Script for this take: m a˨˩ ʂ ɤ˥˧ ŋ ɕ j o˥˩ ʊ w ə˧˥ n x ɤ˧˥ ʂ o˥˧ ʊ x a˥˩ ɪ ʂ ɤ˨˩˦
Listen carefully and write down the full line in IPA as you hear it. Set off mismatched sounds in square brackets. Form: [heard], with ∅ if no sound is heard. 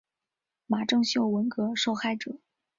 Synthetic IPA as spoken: m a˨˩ [ʈ͡ʂ] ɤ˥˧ ŋ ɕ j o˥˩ ʊ w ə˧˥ n [k] ɤ˧˥ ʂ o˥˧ ʊ x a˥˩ ɪ [ʈ͡ʂ] ɤ˨˩˦